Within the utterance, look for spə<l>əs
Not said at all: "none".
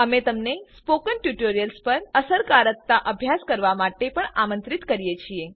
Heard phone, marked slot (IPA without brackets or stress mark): ɾ